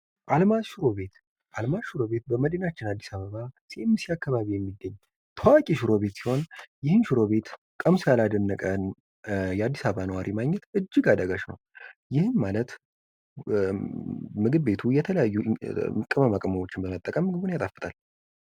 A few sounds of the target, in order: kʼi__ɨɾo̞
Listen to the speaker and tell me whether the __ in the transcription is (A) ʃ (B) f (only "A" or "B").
A